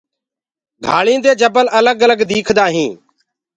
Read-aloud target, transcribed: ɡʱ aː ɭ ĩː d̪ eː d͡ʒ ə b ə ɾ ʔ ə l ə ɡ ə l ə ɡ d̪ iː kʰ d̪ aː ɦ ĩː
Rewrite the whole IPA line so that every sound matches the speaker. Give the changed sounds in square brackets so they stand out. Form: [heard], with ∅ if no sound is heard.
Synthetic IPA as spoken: ɡʱ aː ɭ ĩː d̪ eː d͡ʒ ə b ə [l] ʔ ə l ə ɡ ə l ə ɡ d̪ iː kʰ d̪ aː ɦ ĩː